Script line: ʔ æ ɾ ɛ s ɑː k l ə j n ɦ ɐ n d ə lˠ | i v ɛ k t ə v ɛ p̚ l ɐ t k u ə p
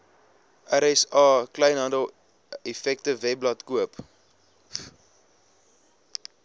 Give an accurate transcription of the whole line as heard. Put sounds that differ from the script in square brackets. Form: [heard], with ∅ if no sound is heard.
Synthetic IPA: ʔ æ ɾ ɛ s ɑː k l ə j n ɦ ɐ n d ə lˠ | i [f] ɛ k t ə v ɛ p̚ l ɐ t k u ə p